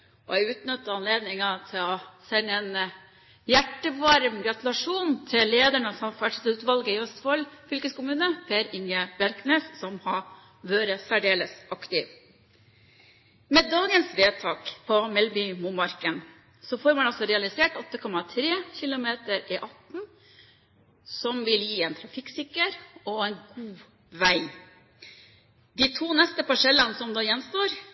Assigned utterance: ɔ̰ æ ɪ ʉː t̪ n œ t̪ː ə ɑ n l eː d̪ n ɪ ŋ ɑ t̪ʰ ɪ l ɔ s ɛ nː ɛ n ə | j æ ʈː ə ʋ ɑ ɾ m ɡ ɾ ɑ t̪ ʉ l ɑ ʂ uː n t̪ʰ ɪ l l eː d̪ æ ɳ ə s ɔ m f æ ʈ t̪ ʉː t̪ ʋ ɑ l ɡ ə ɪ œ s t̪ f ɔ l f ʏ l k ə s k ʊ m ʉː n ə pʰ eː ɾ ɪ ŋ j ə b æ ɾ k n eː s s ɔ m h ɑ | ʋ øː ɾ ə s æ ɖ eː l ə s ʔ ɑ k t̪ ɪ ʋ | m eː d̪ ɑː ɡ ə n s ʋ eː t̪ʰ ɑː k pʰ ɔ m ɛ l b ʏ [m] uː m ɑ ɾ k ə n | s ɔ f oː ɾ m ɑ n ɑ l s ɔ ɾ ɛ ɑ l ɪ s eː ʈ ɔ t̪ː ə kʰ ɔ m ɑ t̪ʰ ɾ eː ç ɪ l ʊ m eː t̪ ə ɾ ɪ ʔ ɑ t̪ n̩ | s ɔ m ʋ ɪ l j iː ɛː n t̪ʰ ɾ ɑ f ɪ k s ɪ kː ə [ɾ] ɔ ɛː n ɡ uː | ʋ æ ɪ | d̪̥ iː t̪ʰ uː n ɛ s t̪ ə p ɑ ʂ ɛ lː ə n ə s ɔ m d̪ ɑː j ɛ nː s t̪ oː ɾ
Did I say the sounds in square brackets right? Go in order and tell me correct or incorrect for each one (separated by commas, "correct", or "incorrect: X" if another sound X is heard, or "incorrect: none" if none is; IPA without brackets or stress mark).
correct, correct